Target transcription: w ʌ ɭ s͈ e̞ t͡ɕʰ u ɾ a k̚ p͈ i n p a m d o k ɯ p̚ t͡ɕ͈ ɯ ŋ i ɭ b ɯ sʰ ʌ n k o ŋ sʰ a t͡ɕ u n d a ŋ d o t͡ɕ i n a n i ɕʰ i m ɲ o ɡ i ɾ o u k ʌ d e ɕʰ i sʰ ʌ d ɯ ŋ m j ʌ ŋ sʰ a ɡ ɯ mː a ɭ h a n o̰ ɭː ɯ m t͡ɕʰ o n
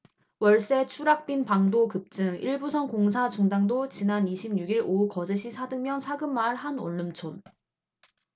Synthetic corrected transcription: w ʌ ɭ s͈ e̞ t͡ɕʰ u ɾ a k̚ p͈ i n p a ŋ d o k ɯ p̚ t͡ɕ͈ ɯ ŋ i ɭ b u sʰ ʌ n k o ŋ sʰ a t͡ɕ u ŋ d a ŋ d o t͡ɕ i n a n i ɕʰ i m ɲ u ɡ i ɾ o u k ʌ d͡ʑ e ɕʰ i sʰ a d ɯ ŋ m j ʌ n sʰ a ɡ ɯ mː a ɭ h a n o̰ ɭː ɯ m t͡ɕʰ o n